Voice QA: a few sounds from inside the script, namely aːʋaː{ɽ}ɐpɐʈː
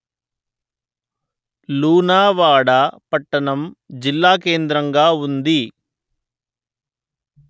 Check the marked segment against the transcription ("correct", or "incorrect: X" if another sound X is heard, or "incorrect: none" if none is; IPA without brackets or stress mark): correct